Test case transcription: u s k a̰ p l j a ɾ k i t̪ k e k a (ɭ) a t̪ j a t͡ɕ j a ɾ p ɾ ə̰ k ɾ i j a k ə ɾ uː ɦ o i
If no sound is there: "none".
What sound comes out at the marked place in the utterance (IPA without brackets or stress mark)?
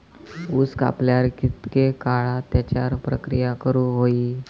ɭ